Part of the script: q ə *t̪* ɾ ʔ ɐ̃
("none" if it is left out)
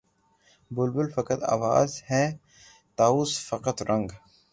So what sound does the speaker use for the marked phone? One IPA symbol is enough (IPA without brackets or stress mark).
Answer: t̪